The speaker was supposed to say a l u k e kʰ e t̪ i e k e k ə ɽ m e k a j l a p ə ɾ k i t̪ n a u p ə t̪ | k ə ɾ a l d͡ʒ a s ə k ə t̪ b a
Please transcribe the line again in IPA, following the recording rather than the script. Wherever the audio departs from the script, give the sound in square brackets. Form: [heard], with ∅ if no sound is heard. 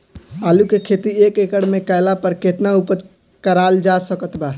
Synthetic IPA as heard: a l u k e kʰ e t̪ i e k e k ə ɽ m e k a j l a p ə ɾ k [e] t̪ n a u p ə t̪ | k ə ɾ a l d͡ʒ a s ə k ə t̪ b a